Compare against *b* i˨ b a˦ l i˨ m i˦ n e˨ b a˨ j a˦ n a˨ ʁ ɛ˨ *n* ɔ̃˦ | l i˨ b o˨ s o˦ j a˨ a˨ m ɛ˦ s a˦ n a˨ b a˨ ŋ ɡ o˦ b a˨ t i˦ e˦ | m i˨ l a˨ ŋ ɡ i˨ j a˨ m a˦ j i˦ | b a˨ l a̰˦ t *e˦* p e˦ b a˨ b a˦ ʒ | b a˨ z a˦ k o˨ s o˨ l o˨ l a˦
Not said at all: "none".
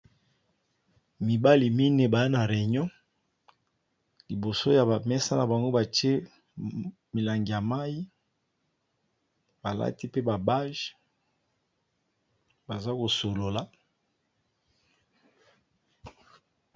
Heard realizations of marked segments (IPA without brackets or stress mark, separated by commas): m, ɲ, i˦